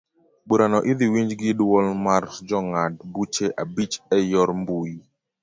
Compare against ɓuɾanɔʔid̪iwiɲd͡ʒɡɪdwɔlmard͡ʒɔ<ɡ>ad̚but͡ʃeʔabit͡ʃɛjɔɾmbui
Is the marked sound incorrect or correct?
incorrect: ŋ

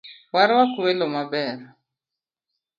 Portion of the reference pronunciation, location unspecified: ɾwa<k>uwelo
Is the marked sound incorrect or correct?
correct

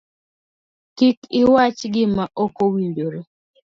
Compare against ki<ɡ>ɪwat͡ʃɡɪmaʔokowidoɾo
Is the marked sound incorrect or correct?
incorrect: k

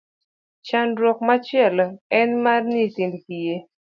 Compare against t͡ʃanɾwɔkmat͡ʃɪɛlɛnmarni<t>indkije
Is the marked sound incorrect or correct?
correct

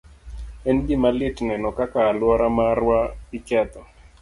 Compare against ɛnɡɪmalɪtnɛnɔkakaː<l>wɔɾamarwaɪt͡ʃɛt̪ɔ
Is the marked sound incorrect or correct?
correct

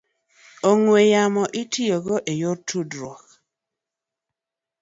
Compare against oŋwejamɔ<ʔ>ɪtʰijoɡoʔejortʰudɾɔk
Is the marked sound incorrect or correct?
correct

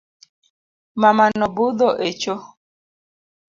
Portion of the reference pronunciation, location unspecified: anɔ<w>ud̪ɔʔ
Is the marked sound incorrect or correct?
incorrect: b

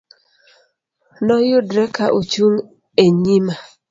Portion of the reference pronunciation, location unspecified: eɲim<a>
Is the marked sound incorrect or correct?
correct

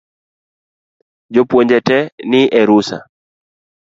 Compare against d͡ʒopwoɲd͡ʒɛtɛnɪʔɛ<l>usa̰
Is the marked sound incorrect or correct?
incorrect: ɾ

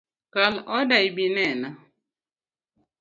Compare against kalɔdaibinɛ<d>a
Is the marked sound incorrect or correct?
incorrect: n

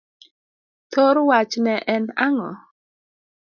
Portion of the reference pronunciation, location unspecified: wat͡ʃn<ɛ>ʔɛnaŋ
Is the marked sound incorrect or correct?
correct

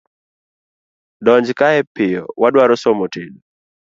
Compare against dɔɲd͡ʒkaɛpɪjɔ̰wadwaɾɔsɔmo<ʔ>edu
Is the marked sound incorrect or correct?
incorrect: t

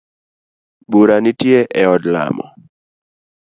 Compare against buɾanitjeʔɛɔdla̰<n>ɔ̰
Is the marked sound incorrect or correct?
incorrect: m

